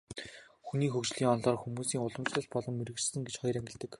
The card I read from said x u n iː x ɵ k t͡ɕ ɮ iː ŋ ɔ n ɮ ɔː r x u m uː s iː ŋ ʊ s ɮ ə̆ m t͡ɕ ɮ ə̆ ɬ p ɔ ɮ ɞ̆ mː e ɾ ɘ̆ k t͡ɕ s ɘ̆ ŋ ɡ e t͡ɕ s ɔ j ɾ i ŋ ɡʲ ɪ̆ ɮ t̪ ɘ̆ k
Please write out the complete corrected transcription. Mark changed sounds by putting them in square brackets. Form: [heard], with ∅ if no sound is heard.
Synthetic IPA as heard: x u n iː x ɵ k t͡ɕ ɮ iː ŋ ɔ n ɮ ɔː r x u m uː s iː ŋ ʊ [∅] ɮ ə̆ m t͡ɕ ɮ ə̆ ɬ p ɔ ɮ ɞ̆ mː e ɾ ɘ̆ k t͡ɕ s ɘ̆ ŋ ɡ e t͡ɕ [χ] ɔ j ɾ [æ] ŋ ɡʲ ɪ̆ ɮ t̪ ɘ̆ k